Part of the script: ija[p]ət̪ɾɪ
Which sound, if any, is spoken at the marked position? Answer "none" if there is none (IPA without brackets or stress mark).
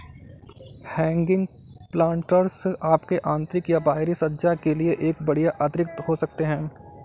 ʔ